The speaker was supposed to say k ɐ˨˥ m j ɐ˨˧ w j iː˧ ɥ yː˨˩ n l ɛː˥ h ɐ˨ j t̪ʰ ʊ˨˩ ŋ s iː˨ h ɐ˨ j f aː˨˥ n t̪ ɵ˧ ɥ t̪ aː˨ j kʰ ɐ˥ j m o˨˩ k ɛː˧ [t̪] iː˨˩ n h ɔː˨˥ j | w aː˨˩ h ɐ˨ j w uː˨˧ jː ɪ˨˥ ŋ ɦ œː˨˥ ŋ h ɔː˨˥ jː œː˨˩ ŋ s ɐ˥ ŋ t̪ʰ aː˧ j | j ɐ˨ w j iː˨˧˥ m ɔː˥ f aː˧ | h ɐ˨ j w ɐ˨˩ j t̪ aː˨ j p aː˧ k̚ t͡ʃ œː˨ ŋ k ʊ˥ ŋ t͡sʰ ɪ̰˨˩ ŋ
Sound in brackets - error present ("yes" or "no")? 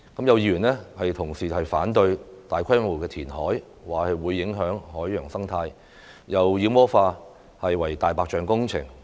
yes